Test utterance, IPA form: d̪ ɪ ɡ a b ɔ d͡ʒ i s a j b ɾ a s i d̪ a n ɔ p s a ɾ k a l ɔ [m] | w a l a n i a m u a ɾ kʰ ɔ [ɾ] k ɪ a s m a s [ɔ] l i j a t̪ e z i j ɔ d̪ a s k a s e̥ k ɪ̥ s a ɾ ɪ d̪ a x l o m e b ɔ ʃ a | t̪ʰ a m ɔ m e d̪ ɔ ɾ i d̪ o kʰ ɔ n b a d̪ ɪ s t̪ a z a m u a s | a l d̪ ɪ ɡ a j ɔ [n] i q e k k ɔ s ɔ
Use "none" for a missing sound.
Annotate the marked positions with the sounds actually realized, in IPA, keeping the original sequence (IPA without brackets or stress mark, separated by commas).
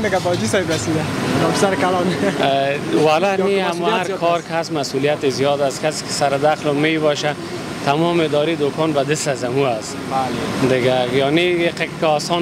n, ɾ, u, n